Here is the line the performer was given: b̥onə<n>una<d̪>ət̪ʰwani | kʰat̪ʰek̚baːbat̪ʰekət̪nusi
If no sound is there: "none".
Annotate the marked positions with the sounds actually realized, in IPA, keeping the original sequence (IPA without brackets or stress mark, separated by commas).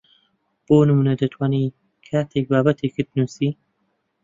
m, d̪